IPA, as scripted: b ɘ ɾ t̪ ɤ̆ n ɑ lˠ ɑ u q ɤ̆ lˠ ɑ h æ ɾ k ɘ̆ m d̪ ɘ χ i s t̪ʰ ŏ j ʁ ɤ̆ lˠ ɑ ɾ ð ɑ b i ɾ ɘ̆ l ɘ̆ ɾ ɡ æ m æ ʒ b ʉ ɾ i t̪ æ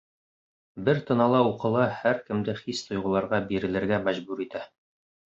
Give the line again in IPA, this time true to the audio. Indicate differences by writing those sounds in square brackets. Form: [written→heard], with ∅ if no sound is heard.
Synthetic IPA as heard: b ɘ ɾ t̪ ɤ̆ n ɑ lˠ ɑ u q ɤ̆ lˠ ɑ h æ ɾ k ɘ̆ m d̪ ɘ χ i s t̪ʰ ŏ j ʁ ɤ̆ lˠ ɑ ɾ [ð→ʁ] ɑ b i ɾ ɘ̆ l ɘ̆ ɾ ɡ æ m æ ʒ b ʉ ɾ i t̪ æ